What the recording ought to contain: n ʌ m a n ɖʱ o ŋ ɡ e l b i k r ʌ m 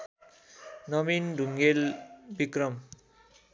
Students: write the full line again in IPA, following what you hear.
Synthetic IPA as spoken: n ʌ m i n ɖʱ u ŋ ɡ e l b i k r ʌ m